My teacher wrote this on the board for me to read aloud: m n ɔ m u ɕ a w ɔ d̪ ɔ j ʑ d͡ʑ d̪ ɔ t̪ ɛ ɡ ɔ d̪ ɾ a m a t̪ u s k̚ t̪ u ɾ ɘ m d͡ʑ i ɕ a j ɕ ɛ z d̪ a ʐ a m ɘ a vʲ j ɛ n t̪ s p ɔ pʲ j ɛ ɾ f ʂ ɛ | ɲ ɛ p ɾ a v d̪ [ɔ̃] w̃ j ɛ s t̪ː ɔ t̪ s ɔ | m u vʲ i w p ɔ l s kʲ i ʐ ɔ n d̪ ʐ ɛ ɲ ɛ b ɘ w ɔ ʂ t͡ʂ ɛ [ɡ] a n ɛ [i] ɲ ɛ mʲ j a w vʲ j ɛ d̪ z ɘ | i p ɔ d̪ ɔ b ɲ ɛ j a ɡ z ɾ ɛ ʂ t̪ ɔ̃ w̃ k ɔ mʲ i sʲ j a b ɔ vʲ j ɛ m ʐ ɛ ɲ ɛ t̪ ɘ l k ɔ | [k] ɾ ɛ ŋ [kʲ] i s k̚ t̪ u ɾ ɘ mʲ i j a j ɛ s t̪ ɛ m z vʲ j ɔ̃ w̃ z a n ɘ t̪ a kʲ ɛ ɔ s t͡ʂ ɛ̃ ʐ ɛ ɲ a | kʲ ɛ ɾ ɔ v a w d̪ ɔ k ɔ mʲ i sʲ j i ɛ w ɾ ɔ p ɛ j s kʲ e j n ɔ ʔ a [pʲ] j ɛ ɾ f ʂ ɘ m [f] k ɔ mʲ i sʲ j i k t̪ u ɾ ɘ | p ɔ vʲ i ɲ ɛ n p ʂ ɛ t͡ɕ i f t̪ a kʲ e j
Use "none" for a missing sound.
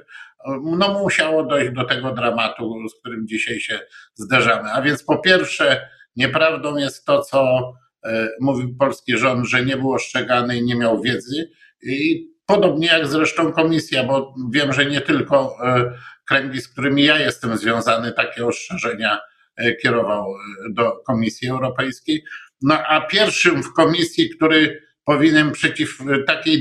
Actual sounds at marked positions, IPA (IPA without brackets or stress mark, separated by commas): ɔ̃, ɡ, i, k, ɡʲ, pʲ, f